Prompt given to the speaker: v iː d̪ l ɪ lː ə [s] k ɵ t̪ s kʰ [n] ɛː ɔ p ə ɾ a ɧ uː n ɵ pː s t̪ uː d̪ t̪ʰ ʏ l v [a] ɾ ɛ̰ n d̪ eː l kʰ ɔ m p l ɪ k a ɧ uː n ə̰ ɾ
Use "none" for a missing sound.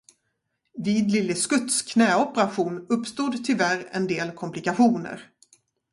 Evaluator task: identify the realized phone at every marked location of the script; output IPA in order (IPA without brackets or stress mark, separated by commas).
s, n, æ